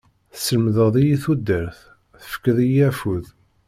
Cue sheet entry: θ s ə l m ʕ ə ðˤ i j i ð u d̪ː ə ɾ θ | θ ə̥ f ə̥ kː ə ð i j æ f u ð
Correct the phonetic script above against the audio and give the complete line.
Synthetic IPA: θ s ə l m ð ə ðˤ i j i θ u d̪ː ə ɾ θ | θ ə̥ f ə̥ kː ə ð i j æ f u ð